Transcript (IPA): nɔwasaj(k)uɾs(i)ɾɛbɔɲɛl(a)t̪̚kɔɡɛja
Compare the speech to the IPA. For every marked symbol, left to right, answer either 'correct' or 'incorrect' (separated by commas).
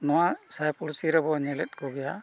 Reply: incorrect, correct, incorrect